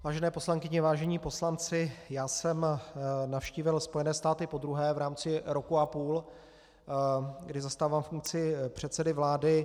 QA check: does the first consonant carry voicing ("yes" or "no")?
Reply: yes